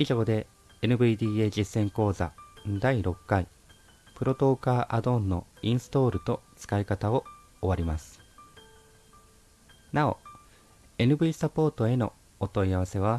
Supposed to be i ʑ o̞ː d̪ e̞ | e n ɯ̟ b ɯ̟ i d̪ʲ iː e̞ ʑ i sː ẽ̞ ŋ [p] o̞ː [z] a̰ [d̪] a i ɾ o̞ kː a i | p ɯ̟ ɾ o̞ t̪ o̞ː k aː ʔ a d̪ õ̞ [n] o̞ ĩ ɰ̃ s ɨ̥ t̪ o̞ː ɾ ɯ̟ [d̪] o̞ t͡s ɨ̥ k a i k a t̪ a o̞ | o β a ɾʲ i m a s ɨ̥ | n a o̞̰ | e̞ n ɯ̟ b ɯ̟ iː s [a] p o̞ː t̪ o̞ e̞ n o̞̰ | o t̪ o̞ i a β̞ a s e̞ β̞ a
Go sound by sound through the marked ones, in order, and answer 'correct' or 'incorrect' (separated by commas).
incorrect, correct, correct, incorrect, incorrect, correct